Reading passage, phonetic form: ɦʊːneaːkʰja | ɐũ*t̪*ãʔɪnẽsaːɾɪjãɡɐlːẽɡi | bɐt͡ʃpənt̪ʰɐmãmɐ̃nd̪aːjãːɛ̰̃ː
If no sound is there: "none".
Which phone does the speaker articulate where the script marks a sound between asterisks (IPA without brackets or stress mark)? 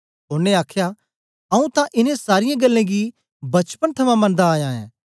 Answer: t̪